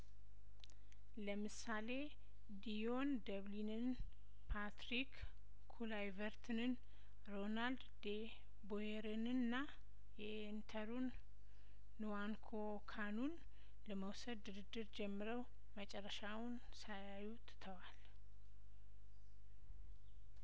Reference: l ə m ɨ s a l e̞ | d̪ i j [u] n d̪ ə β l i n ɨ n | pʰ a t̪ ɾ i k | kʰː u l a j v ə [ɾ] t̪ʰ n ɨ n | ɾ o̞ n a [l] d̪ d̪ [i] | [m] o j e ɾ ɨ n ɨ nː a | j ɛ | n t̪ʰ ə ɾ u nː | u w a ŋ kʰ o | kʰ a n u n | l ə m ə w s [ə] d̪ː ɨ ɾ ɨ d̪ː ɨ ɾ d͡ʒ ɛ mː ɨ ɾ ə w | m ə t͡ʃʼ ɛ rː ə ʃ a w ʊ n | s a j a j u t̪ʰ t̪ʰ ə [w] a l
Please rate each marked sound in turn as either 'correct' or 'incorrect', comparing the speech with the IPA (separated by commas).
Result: incorrect, correct, correct, incorrect, incorrect, correct, correct